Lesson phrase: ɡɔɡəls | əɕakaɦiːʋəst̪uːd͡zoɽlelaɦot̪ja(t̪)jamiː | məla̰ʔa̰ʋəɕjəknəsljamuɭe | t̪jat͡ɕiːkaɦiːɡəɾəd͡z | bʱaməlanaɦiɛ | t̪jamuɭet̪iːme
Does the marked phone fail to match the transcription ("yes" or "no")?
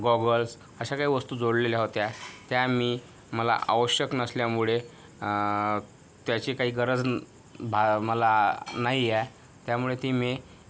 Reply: no